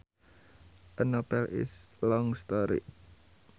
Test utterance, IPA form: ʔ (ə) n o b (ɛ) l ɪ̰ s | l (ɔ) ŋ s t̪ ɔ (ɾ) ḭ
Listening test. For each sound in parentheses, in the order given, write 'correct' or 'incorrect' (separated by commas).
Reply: correct, correct, correct, correct